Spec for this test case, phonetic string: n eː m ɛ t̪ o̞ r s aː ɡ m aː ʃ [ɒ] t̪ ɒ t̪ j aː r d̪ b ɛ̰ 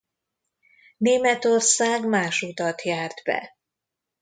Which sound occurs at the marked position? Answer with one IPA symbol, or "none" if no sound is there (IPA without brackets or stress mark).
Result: u